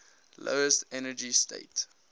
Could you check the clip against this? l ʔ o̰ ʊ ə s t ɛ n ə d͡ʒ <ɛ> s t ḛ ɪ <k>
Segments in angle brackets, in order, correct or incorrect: incorrect: i, incorrect: t

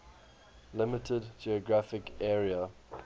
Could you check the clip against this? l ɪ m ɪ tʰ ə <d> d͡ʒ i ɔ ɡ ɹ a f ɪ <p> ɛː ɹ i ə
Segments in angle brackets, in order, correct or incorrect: correct, incorrect: k

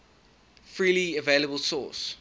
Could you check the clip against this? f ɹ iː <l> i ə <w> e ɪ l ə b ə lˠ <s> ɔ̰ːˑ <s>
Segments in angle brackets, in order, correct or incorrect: correct, incorrect: v, correct, correct

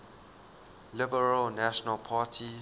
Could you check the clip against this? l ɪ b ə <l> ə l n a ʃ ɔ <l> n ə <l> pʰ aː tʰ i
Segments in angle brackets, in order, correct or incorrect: incorrect: ɹ, incorrect: none, correct

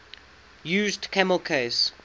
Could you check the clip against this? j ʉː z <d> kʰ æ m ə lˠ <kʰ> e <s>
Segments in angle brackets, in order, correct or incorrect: correct, correct, correct

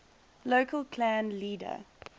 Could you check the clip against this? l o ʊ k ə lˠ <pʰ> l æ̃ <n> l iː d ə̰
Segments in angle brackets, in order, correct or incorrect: incorrect: kʰ, correct

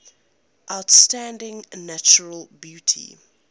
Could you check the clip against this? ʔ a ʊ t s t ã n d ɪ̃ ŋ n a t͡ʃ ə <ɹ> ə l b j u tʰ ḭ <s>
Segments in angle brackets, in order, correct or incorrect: correct, incorrect: none

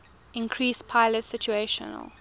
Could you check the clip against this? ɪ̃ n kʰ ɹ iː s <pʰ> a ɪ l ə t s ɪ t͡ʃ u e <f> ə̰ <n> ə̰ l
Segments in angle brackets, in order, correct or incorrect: correct, incorrect: ʃ, correct

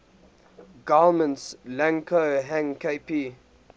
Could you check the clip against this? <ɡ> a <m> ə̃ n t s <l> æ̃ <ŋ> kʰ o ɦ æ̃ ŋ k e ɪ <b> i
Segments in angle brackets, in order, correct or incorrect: correct, correct, correct, correct, incorrect: p

